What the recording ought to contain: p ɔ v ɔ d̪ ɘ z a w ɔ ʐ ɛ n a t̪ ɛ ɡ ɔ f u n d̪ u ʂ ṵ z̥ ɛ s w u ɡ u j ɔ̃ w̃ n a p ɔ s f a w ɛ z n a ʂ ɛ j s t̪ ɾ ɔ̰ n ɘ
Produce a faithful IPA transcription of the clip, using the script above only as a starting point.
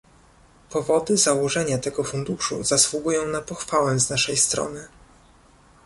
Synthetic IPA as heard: p ɔ v ɔ d̪ ɘ z a w ɔ ʐ ɛ ɲ a t̪ ɛ ɡ ɔ f u n d̪ u ʂ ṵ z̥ a s w u ɡ u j ɔ̃ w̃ n a p ɔ x f a w ɛ z n a ʂ ɛ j s t̪ ɾ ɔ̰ n ɘ